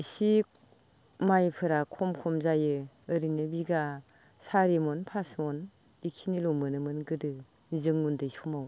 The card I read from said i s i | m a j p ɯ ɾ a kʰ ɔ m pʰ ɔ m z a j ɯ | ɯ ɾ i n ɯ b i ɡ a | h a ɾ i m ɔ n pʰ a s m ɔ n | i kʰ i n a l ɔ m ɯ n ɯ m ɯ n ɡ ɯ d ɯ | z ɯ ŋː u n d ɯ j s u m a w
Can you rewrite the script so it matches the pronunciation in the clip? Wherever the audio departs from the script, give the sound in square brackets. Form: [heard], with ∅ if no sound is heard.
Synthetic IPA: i s i | m a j [pʰ] ɯ ɾ a kʰ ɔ m [kʰ] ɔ m z a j ɯ | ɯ ɾ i n ɯ b i ɡ a | [s] a ɾ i m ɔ n pʰ a s m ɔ n | i kʰ i n [i] l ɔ m ɯ n ɯ m ɯ n ɡ ɯ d ɯ | z ɯ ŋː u n d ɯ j s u m a w